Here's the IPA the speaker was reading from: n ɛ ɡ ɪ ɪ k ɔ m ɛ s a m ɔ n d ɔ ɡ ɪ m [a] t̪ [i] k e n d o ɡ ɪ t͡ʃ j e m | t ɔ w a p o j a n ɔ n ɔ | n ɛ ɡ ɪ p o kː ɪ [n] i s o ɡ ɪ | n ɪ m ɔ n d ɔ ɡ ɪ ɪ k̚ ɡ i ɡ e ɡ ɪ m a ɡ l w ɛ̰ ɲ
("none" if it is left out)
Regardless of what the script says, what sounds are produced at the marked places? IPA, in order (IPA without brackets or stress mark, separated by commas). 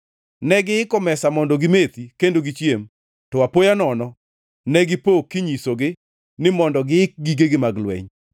e, i, ɲ